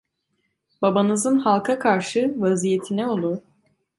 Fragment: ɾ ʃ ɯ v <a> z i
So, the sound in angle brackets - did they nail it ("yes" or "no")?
yes